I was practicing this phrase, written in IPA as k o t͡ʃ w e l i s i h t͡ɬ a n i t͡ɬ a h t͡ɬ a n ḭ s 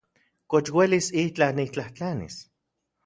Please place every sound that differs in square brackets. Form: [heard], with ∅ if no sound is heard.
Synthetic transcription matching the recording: k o t͡ʃ w e l i s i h t͡ɬ a n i t͡ɬ a h t͡ɬ a n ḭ s

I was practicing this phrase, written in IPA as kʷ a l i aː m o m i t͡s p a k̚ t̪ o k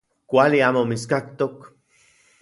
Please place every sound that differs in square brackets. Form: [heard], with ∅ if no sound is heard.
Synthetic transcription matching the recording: kʷ a l i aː m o m i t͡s [k] a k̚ t̪ o k

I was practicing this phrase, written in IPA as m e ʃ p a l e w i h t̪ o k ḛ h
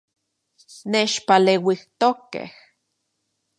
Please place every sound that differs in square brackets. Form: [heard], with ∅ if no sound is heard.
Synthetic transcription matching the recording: [n] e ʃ p a l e w i h t̪ o k ḛ h

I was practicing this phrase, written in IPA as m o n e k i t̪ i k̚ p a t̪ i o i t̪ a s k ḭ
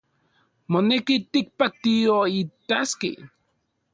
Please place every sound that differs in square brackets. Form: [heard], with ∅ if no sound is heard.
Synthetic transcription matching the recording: m o n e k i t̪ i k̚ p a t̪ i o i t̪ a s k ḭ

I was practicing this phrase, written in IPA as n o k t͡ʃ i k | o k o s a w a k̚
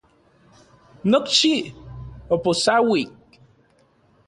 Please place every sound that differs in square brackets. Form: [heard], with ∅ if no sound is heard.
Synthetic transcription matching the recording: n o k t͡ʃ i [∅] | o [p] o s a w [i] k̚

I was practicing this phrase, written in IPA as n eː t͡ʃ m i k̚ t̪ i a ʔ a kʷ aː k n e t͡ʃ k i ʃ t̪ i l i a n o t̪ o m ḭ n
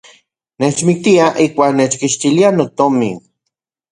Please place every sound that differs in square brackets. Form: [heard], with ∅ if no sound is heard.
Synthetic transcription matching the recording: n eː t͡ʃ m i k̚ t̪ i a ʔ [i] kʷ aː k n e t͡ʃ k i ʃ t̪ i l i a n o t̪ o m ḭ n

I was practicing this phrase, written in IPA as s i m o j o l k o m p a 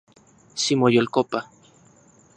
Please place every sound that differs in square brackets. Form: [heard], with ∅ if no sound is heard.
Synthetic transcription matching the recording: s i m o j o l k o [∅] p a

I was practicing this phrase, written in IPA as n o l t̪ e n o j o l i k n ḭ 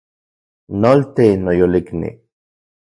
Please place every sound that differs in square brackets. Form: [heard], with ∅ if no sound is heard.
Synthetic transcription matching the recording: n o l t̪ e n o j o l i k n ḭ

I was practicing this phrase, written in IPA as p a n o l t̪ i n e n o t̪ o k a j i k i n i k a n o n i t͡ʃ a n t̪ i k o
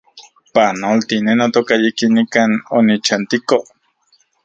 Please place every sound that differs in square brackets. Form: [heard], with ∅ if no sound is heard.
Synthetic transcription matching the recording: p a n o l t̪ i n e n o t̪ o k a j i k i n i k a n o n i t͡ʃ a n t̪ i k o

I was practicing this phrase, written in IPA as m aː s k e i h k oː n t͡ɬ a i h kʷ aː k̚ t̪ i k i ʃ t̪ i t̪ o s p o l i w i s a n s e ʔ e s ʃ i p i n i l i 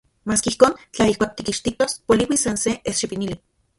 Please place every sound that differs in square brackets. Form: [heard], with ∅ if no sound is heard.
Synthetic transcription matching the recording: m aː s k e i h k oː n t͡ɬ a i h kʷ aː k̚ t̪ i k i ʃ t̪ i t̪ o s p o l i w i s a n s e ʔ e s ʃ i p i n i l i

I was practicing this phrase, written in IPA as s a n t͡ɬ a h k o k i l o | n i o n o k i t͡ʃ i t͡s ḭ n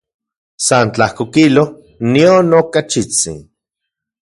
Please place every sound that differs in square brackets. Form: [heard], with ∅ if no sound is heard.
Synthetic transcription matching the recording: s a n t͡ɬ a h k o k i l o | n i o n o k [a] t͡ʃ i t͡s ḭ n

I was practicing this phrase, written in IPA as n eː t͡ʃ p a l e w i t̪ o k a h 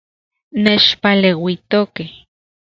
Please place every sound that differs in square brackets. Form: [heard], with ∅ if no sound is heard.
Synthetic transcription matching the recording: n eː t͡ʃ p a l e w i t̪ o k [e] h

